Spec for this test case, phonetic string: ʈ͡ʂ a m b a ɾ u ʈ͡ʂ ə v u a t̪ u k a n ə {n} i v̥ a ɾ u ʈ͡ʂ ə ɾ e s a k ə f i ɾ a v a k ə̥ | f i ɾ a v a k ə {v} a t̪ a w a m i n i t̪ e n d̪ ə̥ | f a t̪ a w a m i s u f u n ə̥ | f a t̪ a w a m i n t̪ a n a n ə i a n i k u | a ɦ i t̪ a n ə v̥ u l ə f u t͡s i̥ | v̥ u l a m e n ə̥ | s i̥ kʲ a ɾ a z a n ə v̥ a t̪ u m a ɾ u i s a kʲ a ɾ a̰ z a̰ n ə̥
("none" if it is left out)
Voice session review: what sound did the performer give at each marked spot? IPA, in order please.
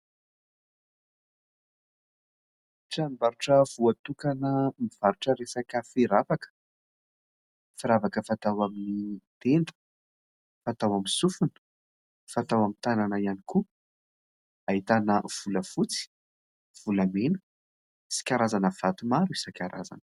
m, f

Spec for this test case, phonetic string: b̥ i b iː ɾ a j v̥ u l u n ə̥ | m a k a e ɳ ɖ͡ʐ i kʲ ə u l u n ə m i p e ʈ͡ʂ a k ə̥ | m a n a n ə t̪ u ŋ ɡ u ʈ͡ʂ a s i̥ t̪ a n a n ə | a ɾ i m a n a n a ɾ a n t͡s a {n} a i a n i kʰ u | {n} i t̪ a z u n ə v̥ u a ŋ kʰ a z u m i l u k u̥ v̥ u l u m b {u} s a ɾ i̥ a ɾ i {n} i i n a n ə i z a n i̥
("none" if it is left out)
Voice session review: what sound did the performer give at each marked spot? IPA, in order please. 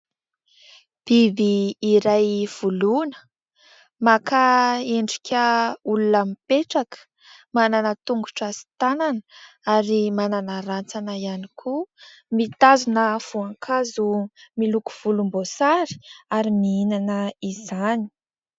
n, m, o, m

